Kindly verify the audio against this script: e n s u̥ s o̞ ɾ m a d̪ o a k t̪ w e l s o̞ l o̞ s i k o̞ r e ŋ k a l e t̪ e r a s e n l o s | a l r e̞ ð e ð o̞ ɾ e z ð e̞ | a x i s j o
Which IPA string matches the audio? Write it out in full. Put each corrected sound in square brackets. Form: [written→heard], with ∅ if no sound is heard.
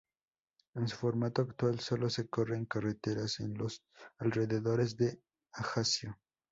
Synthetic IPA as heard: e n s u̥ [s→f] o̞ ɾ m a [d̪→t̪] o a k t̪ w [e→a] l s o̞ l o̞ s [i→e] k o̞ r e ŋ k a [l→r] e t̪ e [r→ɾ] a s e n l o s | a l r e̞ ð e ð o̞ ɾ e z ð e̞ | a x [i→a] s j o